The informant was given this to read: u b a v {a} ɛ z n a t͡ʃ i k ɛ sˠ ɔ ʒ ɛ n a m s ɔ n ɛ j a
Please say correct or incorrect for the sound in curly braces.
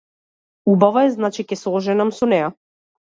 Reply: correct